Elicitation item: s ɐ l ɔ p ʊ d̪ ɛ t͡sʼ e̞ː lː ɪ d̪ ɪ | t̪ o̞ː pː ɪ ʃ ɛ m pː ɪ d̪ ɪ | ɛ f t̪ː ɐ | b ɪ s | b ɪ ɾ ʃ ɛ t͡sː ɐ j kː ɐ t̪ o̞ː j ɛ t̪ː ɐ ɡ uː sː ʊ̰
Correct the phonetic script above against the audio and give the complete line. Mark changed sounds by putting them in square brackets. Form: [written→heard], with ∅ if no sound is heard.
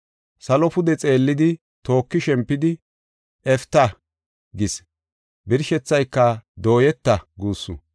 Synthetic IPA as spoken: s ɐ l ɔ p ʊ d̪ ɛ t͡sʼ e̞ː lː ɪ d̪ ɪ | t̪ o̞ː [pː→kː] ɪ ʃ ɛ m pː ɪ d̪ ɪ | ɛ f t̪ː ɐ | [b→ɡ] ɪ s | b ɪ ɾ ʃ ɛ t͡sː ɐ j kː ɐ [t̪→d̪] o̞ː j ɛ t̪ː ɐ ɡ uː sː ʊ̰